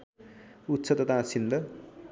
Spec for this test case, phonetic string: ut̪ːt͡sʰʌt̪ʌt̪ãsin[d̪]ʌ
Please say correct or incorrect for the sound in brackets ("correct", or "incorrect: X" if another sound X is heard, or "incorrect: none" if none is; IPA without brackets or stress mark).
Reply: correct